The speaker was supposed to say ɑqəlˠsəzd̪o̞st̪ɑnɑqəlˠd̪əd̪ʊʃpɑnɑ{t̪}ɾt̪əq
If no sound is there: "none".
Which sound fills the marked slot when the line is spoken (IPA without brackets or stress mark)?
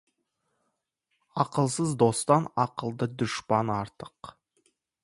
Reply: none